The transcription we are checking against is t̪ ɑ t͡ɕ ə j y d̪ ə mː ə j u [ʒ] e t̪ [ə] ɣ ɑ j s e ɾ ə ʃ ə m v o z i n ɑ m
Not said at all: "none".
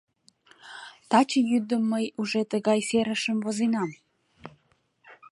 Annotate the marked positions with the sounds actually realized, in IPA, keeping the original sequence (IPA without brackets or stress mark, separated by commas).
ʒ, ə